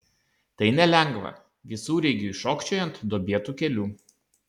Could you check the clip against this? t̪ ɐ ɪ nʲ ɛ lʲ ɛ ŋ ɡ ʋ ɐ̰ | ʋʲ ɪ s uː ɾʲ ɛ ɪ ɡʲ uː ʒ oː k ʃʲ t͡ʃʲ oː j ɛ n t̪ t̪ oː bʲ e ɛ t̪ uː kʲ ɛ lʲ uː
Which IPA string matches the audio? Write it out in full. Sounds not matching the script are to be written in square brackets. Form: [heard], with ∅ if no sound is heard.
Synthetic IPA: t̪ ɐ ɪ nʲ ɛ lʲ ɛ ŋ ɡ ʋ ɐ̰ | ʋʲ ɪ s uː ɾʲ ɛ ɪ ɡʲ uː [ʃ] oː k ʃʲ t͡ʃʲ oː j ɛ n t̪ [d̪] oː bʲ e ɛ t̪ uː kʲ ɛ lʲ uː